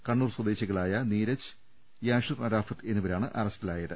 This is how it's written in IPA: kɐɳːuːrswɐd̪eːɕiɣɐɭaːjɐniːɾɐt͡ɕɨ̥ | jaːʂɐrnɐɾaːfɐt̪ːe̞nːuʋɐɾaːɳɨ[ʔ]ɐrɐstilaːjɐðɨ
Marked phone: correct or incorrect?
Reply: correct